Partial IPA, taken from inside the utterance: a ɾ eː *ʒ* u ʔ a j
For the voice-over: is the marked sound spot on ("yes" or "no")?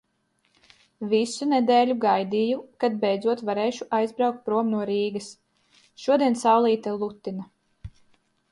no